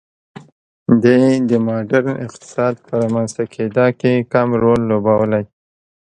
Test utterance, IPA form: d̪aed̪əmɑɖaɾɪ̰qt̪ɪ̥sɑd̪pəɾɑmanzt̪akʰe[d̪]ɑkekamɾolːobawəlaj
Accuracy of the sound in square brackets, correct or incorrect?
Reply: correct